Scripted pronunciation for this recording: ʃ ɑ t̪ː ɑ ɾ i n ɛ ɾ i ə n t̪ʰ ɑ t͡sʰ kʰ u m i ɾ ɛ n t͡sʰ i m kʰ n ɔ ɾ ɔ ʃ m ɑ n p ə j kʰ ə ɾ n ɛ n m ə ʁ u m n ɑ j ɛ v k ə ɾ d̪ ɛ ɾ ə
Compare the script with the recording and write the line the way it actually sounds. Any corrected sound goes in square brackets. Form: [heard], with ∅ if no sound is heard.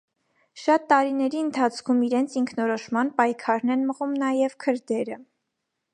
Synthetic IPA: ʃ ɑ t̪ː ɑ ɾ i n ɛ ɾ i ə n t̪ʰ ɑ t͡sʰ kʰ u m i ɾ ɛ n t͡sʰ i [ŋ] kʰ n ɔ ɾ ɔ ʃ m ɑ n p [ɑ] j kʰ [ɑ] ɾ n ɛ n m ə ʁ u m n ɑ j ɛ v [kʰ] ə ɾ d̪ ɛ ɾ ə